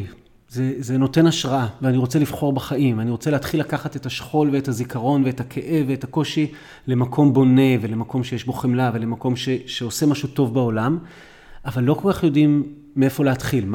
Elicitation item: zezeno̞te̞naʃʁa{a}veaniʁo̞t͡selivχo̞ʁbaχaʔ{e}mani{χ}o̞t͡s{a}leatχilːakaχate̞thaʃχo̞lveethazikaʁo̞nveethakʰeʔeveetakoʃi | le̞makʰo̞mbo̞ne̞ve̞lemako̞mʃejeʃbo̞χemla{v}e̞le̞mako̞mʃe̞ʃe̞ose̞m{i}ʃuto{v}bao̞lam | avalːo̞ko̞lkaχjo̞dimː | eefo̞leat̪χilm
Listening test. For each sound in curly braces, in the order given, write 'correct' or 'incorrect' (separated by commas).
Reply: correct, incorrect, incorrect, incorrect, correct, incorrect, correct